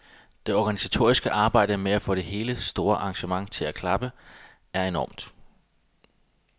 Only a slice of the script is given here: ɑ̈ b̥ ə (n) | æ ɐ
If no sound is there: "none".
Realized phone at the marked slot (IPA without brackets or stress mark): none